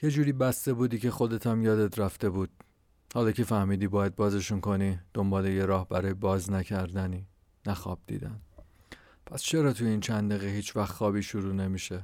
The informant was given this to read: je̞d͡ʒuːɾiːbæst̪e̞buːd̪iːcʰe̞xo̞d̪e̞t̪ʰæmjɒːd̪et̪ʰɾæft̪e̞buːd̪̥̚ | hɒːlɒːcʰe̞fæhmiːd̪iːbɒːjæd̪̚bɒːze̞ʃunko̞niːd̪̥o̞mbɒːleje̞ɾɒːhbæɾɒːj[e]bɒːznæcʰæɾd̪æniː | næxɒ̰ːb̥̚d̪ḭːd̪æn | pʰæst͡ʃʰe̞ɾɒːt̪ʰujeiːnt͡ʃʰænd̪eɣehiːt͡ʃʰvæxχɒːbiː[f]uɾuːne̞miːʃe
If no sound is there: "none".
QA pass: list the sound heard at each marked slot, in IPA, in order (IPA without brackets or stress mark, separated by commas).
e, ʃ